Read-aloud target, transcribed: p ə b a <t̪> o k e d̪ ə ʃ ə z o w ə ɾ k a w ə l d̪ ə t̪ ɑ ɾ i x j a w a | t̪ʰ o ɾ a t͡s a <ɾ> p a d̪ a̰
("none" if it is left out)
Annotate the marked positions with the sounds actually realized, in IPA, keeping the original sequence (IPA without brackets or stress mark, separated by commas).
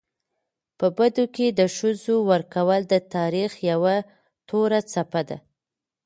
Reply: d̪, none